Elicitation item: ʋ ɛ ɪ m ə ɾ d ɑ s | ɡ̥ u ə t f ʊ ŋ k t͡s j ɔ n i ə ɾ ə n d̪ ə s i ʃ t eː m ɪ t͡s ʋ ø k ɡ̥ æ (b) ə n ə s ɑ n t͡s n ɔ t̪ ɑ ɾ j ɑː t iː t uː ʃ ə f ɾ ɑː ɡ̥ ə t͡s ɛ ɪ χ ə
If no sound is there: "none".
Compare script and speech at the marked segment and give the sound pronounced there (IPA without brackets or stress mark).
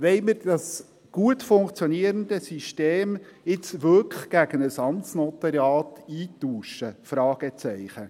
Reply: ɡ